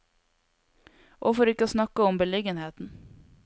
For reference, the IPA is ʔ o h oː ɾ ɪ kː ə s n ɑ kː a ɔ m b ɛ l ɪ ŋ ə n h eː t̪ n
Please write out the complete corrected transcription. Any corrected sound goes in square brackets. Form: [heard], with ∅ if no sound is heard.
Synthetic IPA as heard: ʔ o [f] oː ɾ ɪ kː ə s n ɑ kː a ɔ m b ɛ l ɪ [ɡ] ə n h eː t̪ n